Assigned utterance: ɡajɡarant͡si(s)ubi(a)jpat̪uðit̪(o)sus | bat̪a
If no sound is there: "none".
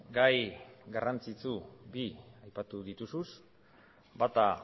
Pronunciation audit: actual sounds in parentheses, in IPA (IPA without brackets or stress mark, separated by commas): t͡s, a, u